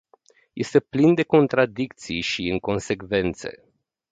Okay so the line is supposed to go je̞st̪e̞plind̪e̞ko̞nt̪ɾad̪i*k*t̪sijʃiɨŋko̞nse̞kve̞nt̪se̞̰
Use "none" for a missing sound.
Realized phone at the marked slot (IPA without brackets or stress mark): k